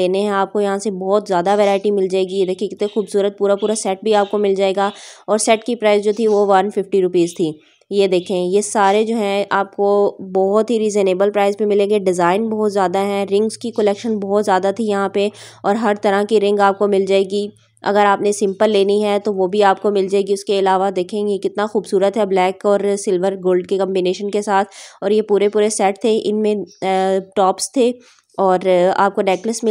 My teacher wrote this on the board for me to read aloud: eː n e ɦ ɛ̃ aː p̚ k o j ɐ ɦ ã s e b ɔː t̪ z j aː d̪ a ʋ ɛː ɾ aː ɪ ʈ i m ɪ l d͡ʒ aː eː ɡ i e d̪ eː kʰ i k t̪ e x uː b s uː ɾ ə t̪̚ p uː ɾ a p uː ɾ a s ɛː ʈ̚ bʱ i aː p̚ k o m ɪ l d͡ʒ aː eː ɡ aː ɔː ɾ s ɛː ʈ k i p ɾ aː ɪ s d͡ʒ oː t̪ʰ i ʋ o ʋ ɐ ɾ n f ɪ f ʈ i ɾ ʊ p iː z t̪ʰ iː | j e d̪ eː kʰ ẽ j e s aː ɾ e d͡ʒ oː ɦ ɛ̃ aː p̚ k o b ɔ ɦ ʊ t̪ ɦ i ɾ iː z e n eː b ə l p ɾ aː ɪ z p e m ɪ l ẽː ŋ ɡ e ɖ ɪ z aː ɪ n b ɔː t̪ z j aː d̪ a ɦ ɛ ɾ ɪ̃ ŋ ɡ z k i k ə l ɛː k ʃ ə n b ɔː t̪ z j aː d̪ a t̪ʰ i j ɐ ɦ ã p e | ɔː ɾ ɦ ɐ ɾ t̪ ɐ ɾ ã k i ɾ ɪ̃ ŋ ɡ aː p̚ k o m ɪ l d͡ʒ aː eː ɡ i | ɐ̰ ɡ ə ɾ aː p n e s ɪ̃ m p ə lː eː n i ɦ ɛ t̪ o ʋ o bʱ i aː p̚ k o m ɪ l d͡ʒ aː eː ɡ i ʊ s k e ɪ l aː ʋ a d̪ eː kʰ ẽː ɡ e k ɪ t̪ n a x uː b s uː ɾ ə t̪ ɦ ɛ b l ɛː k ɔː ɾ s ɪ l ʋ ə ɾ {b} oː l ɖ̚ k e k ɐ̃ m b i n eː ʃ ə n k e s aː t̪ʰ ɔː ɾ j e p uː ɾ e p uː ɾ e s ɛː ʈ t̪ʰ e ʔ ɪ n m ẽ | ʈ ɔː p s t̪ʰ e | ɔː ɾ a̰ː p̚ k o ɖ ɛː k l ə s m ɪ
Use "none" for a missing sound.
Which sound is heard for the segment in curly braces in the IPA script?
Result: ɡ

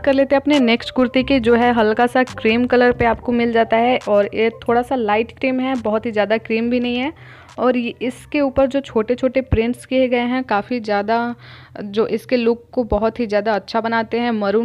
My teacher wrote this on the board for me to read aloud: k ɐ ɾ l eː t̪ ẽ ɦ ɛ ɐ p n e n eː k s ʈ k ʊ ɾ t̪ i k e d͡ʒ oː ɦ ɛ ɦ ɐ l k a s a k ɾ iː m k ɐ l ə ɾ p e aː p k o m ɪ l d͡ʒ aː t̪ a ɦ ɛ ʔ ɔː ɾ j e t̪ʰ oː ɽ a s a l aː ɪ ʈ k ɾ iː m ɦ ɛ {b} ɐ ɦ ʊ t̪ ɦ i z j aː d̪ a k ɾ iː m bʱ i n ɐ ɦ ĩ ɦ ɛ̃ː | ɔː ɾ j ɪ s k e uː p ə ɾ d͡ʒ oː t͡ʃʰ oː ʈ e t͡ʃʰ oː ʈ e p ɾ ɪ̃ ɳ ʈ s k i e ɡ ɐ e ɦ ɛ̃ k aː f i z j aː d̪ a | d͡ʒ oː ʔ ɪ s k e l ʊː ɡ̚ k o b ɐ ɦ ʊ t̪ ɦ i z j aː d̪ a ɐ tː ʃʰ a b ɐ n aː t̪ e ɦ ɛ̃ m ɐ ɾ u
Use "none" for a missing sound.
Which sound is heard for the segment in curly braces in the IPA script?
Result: b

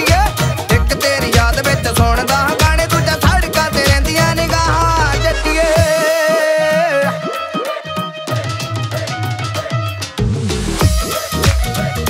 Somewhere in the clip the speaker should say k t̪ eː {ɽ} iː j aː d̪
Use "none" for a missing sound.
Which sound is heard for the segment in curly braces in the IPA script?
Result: ɾ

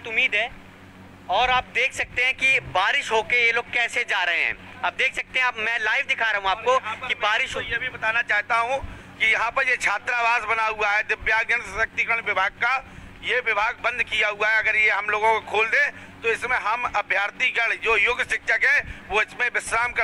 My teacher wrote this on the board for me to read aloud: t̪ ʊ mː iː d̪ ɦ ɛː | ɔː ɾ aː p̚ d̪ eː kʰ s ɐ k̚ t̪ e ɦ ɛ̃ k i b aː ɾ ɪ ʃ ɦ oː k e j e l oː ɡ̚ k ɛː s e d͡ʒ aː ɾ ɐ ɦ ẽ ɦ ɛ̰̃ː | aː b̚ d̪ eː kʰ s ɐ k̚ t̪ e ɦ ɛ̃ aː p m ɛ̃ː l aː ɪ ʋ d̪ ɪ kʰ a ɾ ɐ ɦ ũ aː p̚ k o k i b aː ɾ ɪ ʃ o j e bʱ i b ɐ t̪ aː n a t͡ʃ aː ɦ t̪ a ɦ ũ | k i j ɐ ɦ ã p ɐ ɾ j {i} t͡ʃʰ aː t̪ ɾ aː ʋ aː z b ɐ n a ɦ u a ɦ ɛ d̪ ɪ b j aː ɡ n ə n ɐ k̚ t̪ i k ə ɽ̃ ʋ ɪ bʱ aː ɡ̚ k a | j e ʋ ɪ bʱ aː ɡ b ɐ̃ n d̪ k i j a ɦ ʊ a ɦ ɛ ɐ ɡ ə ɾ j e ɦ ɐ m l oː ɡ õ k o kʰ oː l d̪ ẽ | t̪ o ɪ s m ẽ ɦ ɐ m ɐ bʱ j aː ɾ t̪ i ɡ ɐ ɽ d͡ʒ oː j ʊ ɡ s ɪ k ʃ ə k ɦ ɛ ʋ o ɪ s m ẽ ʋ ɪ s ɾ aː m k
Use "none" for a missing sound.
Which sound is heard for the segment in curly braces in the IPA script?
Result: e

